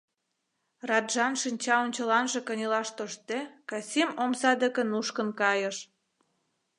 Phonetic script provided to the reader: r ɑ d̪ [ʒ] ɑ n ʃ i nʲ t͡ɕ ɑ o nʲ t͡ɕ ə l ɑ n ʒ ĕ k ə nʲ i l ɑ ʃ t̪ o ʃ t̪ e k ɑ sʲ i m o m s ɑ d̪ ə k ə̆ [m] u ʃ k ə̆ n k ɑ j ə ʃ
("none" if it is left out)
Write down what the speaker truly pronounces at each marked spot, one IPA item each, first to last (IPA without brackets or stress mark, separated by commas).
ʒ, n